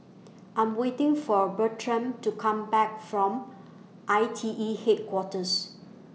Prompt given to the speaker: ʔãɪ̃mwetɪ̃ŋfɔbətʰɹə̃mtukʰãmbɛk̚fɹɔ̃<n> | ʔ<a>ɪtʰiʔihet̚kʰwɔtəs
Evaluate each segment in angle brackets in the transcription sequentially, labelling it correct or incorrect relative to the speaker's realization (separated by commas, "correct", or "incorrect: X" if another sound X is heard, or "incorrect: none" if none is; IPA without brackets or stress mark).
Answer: incorrect: m, correct